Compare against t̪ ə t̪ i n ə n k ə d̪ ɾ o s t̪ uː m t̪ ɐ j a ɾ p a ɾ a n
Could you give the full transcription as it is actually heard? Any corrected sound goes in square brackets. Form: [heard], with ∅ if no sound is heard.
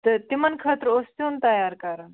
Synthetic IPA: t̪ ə t̪ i [m] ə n [kʰ] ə [t̪] ɾ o s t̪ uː [n] t̪ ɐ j a ɾ [k] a ɾ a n